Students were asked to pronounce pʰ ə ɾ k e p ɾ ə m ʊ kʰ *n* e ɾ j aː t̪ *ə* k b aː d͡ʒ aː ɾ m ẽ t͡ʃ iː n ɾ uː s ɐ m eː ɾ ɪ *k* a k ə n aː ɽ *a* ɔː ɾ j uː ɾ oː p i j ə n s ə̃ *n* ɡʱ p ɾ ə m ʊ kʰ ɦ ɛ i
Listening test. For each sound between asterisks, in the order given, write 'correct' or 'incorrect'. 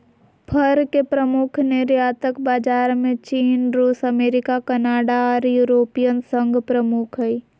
correct, correct, correct, correct, incorrect: ŋ

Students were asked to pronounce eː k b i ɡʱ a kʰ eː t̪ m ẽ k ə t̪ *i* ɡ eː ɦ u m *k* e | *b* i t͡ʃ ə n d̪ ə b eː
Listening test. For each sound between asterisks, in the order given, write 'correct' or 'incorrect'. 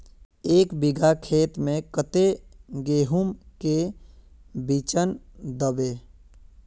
incorrect: e, correct, correct

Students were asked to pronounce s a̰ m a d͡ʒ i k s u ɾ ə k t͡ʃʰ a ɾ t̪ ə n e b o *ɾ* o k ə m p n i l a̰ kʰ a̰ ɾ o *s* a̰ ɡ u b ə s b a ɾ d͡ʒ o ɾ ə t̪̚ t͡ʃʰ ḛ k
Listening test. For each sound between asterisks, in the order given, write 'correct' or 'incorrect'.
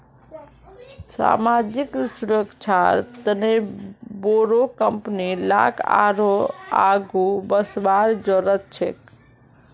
correct, incorrect: none

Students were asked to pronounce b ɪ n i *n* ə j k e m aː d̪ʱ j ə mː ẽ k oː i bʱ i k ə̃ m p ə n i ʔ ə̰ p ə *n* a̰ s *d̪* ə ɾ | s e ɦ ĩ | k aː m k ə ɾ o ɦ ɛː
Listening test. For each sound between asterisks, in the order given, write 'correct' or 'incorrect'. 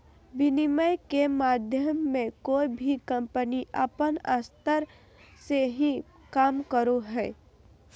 incorrect: m, correct, incorrect: t̪

